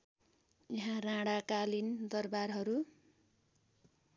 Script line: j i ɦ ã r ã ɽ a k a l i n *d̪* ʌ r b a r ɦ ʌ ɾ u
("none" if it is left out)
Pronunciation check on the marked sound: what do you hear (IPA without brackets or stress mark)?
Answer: d̪